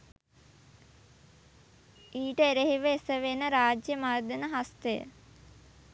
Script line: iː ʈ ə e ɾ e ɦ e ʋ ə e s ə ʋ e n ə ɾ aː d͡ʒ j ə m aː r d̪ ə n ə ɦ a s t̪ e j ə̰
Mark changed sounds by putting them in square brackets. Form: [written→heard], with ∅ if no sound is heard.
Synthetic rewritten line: iː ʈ ə e ɾ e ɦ [e→i] ʋ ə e s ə ʋ e n ə ɾ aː d͡ʒ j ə m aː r d̪ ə n ə ɦ a s t̪ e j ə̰